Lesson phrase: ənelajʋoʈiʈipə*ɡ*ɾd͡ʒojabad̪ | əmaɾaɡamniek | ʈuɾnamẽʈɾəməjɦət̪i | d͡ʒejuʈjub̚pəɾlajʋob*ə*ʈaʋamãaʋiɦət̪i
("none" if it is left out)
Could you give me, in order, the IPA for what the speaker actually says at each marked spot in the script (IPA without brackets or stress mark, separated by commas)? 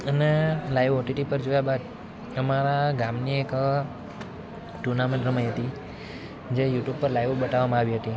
none, ə